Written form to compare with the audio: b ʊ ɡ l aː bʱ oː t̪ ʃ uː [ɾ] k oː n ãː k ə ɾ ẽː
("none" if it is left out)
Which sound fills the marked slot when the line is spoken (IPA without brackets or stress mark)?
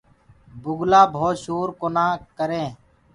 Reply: ɾ